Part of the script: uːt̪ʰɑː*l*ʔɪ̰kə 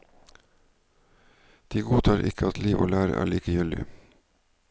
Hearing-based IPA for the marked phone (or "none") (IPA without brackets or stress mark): ɾ